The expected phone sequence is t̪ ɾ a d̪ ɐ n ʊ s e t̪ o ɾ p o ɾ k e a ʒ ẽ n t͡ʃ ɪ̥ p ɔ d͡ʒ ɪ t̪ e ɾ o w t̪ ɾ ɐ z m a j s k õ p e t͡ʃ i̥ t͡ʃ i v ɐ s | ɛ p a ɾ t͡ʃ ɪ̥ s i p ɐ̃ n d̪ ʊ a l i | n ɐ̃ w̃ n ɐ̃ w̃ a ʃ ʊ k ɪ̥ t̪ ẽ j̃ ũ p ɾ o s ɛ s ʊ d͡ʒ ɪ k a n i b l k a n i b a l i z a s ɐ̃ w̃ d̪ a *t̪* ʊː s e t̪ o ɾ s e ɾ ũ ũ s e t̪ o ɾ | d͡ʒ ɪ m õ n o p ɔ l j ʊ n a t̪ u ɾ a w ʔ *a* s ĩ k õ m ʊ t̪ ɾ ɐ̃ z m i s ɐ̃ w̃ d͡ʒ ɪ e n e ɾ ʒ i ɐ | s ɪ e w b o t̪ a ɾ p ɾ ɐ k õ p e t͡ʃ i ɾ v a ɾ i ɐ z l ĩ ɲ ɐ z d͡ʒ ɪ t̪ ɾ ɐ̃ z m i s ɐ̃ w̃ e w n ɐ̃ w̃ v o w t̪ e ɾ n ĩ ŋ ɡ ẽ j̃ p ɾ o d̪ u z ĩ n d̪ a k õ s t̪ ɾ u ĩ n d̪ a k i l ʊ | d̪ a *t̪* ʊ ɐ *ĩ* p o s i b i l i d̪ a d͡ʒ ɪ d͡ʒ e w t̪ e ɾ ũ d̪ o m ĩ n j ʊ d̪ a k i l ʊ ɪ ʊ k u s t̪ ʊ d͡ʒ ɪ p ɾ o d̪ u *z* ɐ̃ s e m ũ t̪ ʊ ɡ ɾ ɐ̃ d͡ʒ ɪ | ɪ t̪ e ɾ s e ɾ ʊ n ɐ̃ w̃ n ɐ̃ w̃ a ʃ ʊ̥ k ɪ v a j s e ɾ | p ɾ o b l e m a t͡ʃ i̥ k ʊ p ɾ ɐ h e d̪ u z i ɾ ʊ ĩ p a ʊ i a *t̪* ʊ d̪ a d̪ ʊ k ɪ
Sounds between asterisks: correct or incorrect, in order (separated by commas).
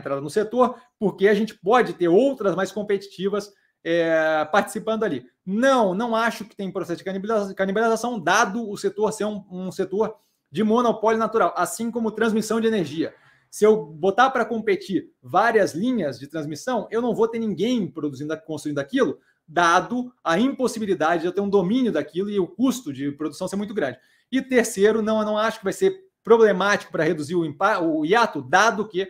incorrect, correct, incorrect, correct, incorrect, correct